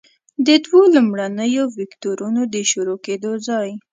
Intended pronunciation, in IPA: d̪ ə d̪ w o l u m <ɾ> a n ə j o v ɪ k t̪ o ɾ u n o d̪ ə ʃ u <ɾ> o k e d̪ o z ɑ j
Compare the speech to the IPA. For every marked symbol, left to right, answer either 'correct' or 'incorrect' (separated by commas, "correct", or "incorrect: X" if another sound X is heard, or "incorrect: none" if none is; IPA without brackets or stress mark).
incorrect: ɽ, correct